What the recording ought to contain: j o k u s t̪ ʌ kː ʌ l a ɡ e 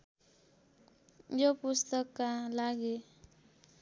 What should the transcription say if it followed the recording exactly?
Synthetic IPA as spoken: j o p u s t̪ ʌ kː a l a ɡ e